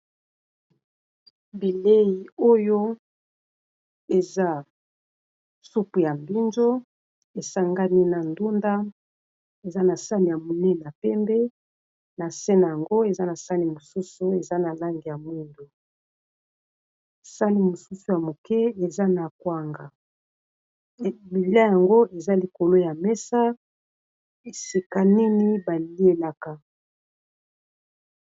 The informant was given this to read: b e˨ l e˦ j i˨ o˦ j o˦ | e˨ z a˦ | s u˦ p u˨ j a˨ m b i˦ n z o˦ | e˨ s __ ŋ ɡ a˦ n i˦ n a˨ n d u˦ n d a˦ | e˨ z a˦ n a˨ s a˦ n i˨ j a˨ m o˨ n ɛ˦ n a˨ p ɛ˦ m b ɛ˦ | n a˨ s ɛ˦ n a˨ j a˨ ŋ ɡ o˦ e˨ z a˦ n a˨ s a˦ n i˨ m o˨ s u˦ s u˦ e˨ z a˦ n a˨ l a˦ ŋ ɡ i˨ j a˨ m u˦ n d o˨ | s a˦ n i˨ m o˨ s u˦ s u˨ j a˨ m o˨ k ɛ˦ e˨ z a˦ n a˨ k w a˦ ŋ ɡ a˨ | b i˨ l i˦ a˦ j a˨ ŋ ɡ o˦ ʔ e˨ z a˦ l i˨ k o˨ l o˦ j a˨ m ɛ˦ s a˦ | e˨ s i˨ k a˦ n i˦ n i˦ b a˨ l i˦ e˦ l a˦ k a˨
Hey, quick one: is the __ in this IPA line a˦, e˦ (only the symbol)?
a˦